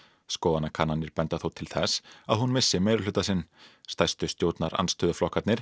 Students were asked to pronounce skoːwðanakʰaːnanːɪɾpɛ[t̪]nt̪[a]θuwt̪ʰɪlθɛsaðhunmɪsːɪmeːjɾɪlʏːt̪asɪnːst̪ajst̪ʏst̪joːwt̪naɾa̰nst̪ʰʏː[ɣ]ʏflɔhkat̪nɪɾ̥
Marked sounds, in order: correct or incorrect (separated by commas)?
incorrect, correct, incorrect